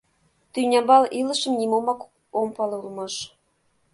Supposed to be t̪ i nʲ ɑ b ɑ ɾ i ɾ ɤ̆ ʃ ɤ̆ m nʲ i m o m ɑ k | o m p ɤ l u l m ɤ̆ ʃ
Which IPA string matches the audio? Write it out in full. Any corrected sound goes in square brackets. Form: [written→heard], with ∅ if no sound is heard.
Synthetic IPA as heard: t̪ [i→y] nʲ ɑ b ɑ [ɾ→l] i [ɾ→l] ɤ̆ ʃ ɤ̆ m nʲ i m o m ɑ k | o m p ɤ l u l m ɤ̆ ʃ